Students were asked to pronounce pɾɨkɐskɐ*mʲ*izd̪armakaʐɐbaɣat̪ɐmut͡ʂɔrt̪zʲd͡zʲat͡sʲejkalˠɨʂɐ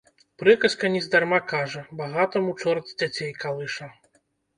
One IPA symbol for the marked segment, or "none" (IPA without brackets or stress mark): nʲ